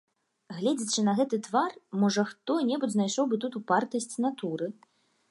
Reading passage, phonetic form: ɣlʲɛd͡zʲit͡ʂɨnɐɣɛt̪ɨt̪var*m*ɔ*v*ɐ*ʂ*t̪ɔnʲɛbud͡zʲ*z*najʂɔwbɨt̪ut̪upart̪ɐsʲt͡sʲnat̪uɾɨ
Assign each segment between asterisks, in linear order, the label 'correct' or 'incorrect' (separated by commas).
correct, incorrect, incorrect, correct